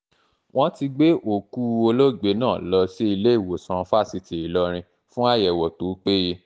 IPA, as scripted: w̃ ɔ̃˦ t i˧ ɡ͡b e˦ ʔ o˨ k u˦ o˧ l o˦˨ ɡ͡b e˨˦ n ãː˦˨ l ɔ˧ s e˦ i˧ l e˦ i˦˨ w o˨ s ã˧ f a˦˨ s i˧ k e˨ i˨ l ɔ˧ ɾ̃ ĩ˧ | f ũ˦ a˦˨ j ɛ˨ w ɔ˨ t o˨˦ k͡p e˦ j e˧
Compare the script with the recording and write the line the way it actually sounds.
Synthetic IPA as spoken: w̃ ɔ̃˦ t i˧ ɡ͡b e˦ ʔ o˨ k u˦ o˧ l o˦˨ ɡ͡b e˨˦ n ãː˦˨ l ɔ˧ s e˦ i˧ l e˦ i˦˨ w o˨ s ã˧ f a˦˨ s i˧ t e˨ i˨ l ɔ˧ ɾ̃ ĩ˧ | f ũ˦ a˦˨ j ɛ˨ w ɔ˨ t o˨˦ k͡p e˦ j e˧